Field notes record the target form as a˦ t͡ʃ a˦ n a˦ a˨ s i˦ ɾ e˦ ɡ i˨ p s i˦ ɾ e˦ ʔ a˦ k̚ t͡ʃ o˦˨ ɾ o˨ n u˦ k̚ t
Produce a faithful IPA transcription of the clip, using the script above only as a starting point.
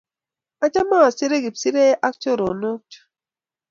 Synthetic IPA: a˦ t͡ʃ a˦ m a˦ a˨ s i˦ ɾ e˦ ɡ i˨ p s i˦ ɾ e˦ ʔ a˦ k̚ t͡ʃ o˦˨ ɾ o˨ n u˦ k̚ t

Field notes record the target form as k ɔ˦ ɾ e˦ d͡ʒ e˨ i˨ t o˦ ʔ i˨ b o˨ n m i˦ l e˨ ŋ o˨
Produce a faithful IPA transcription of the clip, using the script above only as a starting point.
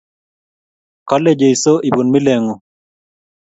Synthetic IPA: k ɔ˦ l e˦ d͡ʒ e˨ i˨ s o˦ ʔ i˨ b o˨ n m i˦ l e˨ ŋ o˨

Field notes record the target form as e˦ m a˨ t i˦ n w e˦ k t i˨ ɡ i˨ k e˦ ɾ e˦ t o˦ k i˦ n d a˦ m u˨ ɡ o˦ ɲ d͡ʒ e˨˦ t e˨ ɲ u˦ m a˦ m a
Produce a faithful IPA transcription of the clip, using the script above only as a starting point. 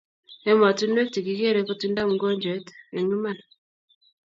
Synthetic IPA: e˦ m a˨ t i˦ n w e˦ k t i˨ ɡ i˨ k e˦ ɾ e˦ k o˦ t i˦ n d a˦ m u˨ ɡ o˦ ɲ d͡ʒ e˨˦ t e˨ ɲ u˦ m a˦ n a

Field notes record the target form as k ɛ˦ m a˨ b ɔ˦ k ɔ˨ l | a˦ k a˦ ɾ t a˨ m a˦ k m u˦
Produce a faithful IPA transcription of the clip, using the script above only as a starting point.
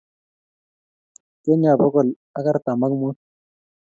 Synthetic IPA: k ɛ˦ ɲ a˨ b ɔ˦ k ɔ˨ l | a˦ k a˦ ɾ t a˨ m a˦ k m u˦

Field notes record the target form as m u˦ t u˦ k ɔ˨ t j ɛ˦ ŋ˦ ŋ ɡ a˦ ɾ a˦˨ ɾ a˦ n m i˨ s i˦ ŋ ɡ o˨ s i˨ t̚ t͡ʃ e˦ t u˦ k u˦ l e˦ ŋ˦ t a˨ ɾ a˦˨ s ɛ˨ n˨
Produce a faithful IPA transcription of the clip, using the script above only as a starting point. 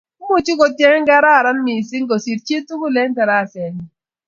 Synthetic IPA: m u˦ t͡ʃ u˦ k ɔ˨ t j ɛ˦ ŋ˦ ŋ ɡ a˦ ɾ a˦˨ ɾ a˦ n m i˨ s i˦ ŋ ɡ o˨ s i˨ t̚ t͡ʃ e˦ t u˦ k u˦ l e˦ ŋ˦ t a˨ ɾ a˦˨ s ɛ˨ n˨

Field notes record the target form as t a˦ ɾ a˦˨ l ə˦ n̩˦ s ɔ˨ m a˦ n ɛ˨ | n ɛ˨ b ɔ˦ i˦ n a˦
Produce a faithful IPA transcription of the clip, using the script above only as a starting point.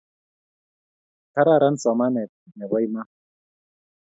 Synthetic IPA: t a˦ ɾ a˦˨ ɾ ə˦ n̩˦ s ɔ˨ m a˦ n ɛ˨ | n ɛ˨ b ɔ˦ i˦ m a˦

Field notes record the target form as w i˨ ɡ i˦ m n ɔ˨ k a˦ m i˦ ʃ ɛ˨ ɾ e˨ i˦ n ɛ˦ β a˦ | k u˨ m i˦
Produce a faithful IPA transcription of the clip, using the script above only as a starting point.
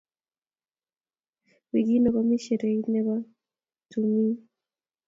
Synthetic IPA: w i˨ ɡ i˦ n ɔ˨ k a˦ m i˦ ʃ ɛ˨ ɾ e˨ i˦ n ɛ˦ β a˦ | t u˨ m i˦

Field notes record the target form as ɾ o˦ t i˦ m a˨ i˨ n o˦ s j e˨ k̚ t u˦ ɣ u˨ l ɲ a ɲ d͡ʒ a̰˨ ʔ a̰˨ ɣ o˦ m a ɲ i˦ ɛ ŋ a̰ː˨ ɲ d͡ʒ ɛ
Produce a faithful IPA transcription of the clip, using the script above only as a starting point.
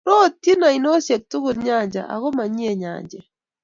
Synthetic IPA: ɾ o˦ t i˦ n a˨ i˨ n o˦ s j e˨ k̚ t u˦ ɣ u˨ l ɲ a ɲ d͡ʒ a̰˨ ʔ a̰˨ ɣ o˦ m a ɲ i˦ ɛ ɲ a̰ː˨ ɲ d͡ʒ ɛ

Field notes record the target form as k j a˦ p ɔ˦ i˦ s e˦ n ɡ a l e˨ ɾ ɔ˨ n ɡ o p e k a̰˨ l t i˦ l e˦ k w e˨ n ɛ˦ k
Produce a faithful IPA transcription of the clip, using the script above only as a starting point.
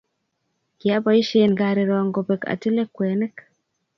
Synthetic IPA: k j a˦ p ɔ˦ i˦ ʃ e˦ n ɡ a ɾ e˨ ɾ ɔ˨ ŋ ɡ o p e k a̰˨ t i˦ l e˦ k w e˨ n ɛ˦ k

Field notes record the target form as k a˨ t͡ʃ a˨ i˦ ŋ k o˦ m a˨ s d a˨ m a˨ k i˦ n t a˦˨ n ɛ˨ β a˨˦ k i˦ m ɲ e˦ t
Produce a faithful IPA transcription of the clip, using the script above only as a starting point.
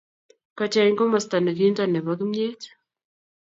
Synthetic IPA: k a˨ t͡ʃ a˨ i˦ ŋ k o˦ m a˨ s t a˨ n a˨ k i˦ n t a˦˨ n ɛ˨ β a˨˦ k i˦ m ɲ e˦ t

